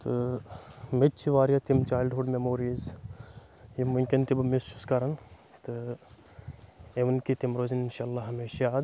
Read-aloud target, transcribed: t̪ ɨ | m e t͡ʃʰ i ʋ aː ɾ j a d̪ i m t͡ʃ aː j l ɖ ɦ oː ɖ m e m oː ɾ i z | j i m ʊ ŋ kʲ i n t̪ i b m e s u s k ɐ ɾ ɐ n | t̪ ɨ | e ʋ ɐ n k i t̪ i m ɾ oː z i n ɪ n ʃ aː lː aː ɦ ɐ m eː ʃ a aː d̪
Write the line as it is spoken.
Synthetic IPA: t̪ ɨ | m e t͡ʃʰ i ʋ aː ɾ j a t̪ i m t͡ʃ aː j l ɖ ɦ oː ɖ m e m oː ɾ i z | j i m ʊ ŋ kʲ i n t̪ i b m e s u s k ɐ ɾ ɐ n | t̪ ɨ | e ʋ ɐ n k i t̪ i m ɾ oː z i n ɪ n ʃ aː lː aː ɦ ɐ m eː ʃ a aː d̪